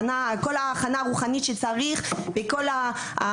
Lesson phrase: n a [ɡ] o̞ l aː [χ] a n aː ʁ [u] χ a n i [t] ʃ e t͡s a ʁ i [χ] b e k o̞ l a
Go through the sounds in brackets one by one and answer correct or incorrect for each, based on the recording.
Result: incorrect, correct, correct, correct, correct

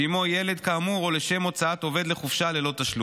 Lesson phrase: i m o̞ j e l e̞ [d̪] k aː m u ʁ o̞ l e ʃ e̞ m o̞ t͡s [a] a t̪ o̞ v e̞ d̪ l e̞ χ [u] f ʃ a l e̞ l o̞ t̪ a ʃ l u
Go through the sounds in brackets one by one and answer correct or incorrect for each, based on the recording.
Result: correct, correct, correct

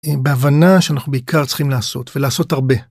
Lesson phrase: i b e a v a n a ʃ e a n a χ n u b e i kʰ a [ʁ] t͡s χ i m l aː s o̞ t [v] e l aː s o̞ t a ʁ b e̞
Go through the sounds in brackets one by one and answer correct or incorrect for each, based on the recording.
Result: correct, correct

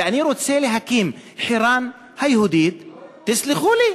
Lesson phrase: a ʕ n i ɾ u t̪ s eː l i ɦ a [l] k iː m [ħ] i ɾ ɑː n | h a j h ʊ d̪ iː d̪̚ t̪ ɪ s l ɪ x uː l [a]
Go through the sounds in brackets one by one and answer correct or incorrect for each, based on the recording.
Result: incorrect, correct, incorrect

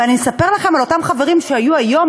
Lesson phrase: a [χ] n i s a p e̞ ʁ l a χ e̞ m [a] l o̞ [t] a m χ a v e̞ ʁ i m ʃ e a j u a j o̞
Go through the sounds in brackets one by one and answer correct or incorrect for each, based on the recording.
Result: incorrect, correct, correct

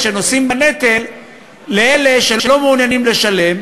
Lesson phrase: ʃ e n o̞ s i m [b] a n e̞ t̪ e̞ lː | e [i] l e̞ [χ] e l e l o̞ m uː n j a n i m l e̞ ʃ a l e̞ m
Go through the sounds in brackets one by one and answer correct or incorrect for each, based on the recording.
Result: correct, incorrect, incorrect

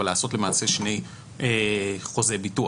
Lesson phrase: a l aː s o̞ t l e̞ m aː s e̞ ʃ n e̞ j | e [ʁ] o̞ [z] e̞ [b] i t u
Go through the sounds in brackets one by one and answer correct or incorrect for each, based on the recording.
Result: incorrect, correct, correct

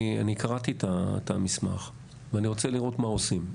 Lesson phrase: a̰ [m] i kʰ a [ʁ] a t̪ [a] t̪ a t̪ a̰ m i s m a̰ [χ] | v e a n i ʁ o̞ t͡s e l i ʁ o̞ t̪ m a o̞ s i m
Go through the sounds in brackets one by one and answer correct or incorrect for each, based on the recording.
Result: incorrect, correct, incorrect, correct

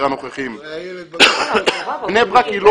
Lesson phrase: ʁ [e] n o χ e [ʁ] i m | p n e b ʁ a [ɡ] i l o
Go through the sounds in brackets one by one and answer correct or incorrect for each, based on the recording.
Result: incorrect, incorrect, incorrect

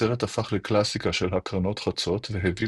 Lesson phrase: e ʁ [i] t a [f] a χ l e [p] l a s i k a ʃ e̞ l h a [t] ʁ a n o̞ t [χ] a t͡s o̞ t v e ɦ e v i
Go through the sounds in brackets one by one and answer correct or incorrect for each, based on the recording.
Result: incorrect, correct, incorrect, incorrect, correct

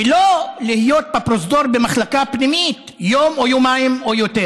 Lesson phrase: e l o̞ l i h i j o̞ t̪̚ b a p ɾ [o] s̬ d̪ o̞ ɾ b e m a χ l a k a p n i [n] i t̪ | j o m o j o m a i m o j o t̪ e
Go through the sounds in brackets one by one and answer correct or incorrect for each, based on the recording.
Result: correct, incorrect

